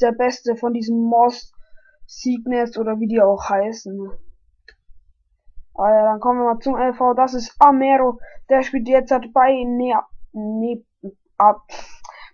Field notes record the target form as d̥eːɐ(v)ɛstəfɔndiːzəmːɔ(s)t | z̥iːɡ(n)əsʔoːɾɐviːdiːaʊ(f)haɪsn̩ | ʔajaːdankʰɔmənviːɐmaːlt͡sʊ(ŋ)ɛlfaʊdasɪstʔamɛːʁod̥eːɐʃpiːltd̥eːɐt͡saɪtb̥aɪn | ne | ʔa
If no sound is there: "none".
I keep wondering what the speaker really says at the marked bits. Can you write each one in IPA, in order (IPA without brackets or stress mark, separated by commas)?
b, s, n, x, m